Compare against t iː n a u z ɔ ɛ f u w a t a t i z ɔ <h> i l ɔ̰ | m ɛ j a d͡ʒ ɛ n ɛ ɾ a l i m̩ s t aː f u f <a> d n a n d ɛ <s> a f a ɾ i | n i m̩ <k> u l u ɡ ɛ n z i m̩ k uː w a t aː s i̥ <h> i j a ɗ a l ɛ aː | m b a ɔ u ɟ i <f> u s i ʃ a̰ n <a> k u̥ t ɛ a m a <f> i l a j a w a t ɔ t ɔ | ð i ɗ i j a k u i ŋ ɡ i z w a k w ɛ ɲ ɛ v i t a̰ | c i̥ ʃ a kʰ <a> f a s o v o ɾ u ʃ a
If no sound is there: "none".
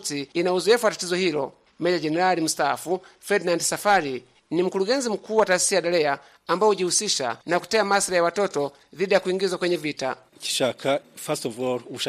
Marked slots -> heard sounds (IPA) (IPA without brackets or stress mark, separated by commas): h, ɛ, s, k, s, h, a, s, a